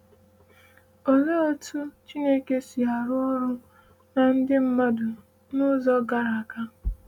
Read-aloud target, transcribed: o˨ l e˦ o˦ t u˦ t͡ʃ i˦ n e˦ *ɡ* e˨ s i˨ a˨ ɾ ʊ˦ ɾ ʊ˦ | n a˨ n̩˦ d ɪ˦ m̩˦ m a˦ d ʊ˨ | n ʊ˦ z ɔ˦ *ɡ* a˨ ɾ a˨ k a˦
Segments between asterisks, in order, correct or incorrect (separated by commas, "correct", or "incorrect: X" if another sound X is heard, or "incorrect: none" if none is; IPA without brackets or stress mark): incorrect: k, correct